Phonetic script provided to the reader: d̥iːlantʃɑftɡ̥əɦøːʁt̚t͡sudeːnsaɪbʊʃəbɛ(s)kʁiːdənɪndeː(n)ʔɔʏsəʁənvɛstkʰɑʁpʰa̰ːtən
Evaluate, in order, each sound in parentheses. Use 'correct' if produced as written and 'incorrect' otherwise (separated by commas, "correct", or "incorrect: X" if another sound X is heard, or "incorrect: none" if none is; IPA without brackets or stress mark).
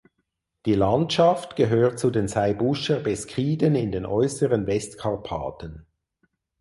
correct, correct